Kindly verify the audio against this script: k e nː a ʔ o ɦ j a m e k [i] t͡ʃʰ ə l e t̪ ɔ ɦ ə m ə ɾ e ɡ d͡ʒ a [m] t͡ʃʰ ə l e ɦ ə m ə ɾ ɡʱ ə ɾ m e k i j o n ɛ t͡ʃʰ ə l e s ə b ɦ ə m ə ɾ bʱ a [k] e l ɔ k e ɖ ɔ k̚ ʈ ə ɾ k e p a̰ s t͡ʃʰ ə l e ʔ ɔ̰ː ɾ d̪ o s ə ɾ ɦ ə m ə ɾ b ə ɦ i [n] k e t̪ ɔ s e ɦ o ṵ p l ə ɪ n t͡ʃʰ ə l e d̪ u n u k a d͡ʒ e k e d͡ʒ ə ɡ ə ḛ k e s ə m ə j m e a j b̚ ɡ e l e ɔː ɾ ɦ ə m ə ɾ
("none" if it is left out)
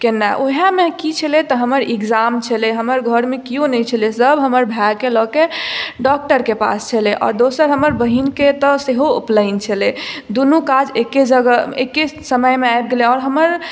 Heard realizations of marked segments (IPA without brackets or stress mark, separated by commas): i, m, k, n